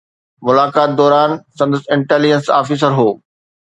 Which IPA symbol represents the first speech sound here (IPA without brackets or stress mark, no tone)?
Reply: m